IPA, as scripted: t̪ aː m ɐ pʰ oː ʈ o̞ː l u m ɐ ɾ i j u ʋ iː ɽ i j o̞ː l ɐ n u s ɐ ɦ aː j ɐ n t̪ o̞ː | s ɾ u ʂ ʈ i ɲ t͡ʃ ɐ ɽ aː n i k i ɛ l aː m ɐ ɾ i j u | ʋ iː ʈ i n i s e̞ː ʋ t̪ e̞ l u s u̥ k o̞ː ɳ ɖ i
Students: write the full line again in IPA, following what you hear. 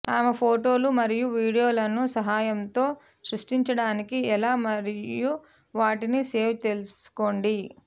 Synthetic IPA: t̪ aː m ɐ pʰ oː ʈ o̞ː l u m ɐ ɾ i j u ʋ iː ɽ i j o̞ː l ɐ n u s ɐ ɦ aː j ɐ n t̪ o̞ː | s ɾ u ʂ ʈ i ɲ t͡ʃ ɐ ɽ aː n i k i ɛ l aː m ɐ ɾ i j u | ʋ aː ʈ i n i s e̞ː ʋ t̪ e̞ l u s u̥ k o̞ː ɳ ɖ i